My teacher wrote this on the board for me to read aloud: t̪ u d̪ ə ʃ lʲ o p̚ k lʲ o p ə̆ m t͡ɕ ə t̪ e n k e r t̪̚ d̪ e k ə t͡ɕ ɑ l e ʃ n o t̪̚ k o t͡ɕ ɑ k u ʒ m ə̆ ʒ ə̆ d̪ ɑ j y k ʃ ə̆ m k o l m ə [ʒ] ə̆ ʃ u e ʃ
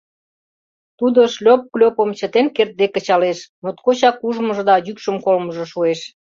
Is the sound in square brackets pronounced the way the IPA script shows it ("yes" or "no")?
yes